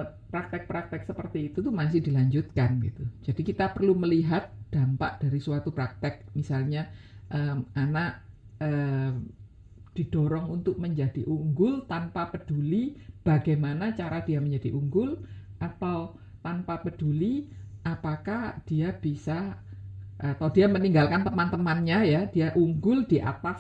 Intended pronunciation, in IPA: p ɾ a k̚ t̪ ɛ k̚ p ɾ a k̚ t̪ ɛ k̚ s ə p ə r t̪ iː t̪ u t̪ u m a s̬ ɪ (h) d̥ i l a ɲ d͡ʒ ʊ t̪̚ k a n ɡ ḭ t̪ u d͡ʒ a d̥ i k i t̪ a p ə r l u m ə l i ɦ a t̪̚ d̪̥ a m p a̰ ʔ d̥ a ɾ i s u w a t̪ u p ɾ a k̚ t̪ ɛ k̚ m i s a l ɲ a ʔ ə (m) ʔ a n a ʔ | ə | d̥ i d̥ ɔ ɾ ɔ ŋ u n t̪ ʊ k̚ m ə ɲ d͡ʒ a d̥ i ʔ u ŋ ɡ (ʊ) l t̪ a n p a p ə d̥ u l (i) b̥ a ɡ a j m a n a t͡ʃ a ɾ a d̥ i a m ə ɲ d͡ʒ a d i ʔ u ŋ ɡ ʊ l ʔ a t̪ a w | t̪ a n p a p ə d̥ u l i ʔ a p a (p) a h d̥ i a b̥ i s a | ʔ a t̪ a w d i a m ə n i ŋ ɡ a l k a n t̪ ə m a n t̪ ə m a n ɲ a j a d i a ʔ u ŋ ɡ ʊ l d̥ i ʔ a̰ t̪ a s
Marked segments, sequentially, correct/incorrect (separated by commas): correct, correct, correct, correct, incorrect